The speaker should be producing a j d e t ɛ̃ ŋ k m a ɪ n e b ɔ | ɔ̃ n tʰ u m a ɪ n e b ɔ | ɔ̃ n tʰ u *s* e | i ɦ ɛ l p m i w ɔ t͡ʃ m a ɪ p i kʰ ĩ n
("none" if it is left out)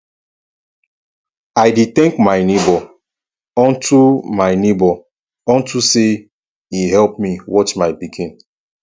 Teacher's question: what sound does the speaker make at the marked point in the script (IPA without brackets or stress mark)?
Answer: s